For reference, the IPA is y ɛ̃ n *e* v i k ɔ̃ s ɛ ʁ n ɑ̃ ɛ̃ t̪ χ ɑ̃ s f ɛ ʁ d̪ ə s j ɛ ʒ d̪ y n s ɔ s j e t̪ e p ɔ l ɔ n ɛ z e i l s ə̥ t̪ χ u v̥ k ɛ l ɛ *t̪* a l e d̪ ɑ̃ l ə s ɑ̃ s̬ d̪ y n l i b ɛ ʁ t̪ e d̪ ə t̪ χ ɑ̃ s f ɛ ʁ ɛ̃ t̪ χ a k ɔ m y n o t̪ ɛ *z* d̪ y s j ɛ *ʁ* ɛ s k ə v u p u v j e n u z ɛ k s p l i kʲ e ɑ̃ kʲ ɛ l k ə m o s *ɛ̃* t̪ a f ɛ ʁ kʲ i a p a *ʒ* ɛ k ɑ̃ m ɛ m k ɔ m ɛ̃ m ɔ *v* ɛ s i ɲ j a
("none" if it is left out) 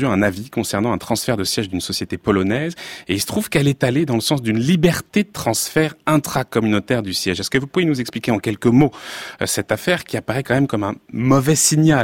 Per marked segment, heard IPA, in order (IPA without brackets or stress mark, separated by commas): a, t̪, ʁ, ʒ, ɛ, ʁ, v